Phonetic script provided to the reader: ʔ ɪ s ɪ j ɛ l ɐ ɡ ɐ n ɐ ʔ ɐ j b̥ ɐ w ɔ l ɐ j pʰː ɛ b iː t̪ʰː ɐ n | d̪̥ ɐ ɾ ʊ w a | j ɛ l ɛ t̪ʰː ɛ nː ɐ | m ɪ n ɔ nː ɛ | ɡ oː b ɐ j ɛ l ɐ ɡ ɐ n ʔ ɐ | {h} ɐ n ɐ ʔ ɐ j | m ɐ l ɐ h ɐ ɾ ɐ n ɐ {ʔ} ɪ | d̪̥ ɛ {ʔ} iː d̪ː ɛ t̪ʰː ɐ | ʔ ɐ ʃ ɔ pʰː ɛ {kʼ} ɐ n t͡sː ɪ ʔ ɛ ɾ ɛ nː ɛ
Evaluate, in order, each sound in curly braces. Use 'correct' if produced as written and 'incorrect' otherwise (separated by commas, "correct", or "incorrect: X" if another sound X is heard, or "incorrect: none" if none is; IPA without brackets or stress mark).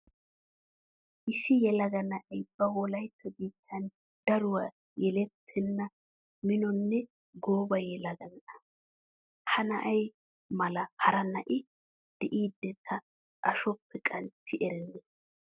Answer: correct, correct, correct, correct